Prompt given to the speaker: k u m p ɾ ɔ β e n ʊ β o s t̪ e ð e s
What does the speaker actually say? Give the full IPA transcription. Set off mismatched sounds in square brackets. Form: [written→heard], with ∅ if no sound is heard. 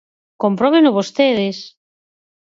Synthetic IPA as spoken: k [u→o] m p ɾ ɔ β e n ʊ β o s t̪ e ð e s